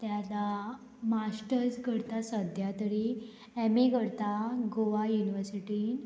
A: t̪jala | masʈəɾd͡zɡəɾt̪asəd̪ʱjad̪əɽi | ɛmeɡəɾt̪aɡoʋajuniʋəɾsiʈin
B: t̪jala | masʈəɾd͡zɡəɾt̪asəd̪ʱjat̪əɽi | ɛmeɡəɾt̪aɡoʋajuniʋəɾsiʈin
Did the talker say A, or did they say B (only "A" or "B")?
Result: B